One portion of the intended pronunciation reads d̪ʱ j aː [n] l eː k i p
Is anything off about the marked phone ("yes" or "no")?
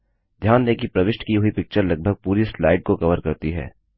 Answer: no